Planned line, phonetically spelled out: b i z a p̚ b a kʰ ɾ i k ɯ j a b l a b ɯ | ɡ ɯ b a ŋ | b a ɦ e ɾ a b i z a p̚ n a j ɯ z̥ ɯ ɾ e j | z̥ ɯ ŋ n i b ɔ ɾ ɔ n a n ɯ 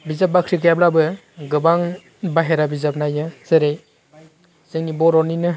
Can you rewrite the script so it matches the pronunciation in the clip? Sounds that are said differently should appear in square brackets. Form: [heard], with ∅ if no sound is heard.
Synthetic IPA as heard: b i z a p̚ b a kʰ ɾ i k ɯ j a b l a b ɯ | ɡ ɯ b a ŋ | b a ɦ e ɾ a b i z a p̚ n a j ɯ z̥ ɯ ɾ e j | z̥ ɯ ŋ n i b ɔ ɾ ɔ n [i] n ɯ